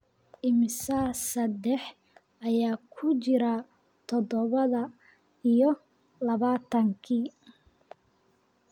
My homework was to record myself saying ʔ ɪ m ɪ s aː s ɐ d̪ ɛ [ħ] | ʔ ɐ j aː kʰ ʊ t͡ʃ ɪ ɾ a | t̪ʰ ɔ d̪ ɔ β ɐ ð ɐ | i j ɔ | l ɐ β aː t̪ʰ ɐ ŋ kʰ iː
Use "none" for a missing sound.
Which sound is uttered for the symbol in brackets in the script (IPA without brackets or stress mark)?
ħ